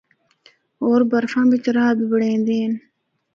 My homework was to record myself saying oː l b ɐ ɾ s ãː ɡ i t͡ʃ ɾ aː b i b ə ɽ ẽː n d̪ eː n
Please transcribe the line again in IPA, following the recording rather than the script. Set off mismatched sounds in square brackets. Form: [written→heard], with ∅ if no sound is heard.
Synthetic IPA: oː [l→ɾ] b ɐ ɾ [s→f] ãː [ɡ→b] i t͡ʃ ɾ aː b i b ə ɽ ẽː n d̪ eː n